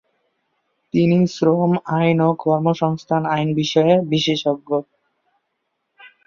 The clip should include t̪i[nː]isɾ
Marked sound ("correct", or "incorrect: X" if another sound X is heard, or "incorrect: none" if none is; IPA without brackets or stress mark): incorrect: n